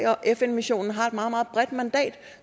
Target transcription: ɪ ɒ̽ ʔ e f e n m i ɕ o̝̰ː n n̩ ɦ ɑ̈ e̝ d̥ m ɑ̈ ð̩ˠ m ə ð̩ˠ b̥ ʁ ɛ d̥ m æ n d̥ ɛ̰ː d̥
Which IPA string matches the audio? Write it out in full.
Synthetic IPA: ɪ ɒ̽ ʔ e f e n m i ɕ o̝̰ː n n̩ ɦ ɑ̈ e̝ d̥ m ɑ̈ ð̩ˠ m ɑ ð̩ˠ b̥ ʁ ɛ d̥ m æ n d̥ ɛ̰ː d̥